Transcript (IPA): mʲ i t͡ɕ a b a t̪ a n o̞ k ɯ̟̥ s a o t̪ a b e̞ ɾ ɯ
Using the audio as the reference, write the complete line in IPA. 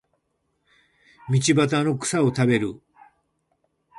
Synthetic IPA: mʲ i t͡ɕ i b a t̪ a n o̞ k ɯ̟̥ s a o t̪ a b e̞ ɾ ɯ